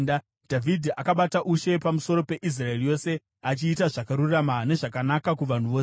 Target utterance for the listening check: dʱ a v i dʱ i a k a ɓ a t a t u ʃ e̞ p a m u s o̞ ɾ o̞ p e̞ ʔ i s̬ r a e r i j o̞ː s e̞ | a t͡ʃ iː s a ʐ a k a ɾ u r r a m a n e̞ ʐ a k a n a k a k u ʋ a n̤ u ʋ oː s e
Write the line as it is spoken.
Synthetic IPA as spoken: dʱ a v i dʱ i a k a ɓ a t a ʔ u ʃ e̞ p a m u s o̞ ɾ o̞ p e̞ ʔ i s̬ r a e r i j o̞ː s e̞ | a t͡ʃ iː t a ʐ a k a ɾ u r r a m a n e̞ ʐ a k a n a k a k u ʋ a n̤ u ʋ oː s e